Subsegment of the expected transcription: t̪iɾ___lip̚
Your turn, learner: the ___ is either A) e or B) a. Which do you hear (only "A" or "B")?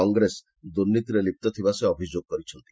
A